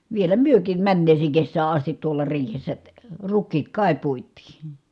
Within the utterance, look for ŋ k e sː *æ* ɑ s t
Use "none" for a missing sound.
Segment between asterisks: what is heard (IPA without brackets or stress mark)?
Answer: æː